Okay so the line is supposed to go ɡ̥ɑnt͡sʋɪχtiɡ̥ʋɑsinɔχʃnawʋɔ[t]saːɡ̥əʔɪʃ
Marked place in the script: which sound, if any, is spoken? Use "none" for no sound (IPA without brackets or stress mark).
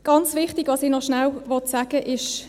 t